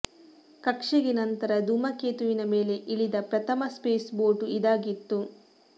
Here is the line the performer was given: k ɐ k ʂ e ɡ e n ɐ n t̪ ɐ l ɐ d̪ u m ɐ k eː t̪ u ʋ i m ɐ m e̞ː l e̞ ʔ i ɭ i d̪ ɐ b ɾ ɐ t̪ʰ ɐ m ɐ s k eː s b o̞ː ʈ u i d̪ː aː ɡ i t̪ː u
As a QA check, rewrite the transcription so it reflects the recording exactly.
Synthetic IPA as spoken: k ɐ k ʂ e ɡ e n ɐ n t̪ ɐ ɾ ɐ d̪ u m ɐ k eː t̪ u ʋ i n ɐ m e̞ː l e̞ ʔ i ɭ i d̪ ɐ p ɾ ɐ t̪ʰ ɐ m ɐ s p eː s b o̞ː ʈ u i d̪ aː ɡ i t̪ː u